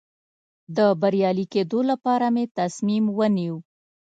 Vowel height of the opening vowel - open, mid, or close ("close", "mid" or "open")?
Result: mid